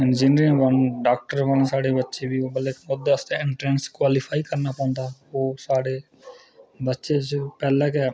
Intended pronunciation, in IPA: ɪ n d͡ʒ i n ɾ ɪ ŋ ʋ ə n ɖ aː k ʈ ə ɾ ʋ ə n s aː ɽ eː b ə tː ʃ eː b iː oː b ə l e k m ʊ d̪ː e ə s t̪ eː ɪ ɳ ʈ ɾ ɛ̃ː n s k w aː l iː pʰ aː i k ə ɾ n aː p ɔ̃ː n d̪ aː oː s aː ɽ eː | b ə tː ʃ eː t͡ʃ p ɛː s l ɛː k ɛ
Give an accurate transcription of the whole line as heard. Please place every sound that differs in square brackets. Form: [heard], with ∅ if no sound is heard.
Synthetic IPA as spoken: ɪ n d͡ʒ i n ɾ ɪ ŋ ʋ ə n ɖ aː k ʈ ə ɾ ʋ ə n s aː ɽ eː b ə tː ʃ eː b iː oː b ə l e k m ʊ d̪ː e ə s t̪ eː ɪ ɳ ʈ ɾ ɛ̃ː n s k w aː l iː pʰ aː i k ə ɾ n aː p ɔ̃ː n d̪ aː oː s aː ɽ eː | b ə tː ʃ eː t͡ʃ p ɛː [∅] l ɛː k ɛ